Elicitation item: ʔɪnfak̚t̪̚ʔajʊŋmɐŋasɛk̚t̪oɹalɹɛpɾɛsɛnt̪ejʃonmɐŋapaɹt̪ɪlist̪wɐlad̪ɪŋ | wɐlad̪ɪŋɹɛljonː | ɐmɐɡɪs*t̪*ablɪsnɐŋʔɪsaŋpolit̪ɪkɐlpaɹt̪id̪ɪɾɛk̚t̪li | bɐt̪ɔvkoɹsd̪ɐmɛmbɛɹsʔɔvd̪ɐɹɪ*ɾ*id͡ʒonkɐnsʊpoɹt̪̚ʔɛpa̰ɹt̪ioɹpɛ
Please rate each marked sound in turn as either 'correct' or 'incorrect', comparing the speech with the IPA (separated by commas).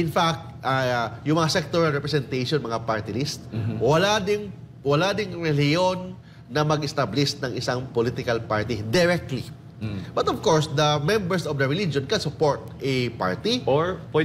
correct, incorrect